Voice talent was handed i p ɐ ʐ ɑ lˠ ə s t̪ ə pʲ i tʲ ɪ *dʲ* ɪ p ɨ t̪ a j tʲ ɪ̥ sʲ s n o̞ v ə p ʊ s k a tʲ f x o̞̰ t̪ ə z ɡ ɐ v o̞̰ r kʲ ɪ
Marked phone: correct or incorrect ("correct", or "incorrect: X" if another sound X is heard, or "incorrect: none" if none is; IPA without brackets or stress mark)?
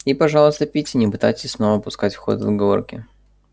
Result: incorrect: nʲ